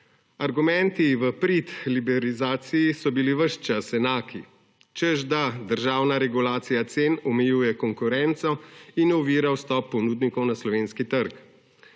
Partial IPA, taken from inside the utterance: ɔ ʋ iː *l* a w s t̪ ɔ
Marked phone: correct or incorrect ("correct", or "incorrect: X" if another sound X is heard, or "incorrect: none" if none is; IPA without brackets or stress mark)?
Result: incorrect: ɾ